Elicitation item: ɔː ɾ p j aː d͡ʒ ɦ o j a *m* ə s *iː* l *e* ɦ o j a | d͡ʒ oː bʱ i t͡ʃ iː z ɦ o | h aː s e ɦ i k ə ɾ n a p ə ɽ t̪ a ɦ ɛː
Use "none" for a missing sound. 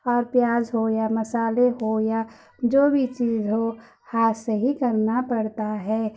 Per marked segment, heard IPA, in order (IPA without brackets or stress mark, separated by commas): m, aː, e